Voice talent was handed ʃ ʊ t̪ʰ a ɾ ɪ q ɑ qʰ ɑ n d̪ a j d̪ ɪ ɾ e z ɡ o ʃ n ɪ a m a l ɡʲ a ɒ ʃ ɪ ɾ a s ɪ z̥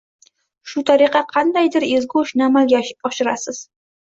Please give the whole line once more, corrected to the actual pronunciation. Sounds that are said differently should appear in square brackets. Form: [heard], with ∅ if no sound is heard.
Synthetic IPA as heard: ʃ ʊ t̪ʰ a ɾ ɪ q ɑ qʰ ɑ n d̪ a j d̪ ɪ ɾ e z ɡ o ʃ n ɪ a m a l ɡʲ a ɒ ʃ ɪ ɾ a s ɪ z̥